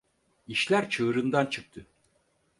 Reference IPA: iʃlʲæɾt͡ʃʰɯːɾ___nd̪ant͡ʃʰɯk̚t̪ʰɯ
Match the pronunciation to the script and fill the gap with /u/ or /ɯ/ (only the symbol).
ɯ